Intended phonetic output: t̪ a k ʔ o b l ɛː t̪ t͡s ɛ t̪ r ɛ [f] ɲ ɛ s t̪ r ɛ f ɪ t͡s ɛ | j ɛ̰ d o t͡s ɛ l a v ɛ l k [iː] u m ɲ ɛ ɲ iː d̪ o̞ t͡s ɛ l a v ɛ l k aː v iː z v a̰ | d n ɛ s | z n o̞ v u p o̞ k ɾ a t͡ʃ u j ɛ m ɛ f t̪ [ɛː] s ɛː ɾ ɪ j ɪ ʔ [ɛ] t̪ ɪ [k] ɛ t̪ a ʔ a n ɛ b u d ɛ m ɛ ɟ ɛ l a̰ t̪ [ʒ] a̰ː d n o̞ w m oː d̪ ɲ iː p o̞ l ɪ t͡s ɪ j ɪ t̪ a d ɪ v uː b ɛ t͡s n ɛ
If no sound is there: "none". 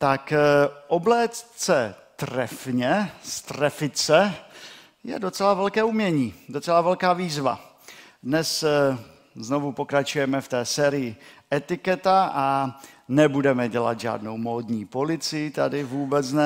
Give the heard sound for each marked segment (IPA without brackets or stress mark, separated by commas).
f, ɛː, ɛː, ɛ, k, ʒ